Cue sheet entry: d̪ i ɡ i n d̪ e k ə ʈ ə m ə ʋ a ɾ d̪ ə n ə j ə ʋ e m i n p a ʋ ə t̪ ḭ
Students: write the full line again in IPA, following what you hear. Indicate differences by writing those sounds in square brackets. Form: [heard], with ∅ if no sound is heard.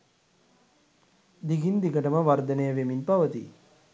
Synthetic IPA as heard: d̪ i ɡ i n d̪ [i] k ə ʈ ə m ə ʋ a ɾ d̪ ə n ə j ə ʋ e m i n p a ʋ ə t̪ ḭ